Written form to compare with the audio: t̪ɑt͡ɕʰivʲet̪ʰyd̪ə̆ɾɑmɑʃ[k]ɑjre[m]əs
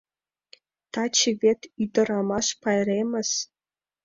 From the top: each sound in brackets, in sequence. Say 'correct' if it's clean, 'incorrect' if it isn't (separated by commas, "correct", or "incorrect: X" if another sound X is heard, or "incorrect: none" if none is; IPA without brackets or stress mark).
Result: incorrect: p, correct